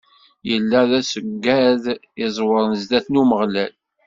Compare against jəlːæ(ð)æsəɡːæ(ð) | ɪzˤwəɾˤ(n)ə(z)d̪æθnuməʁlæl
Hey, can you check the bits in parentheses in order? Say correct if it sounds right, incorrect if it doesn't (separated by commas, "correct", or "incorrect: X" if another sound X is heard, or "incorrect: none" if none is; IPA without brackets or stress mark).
correct, correct, correct, correct